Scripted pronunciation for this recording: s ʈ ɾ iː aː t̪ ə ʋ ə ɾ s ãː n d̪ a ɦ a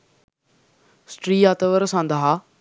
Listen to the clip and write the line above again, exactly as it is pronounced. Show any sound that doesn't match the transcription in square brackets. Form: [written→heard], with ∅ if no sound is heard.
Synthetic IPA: s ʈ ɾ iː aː t̪ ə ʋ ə ɾ s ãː n d̪ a ɦ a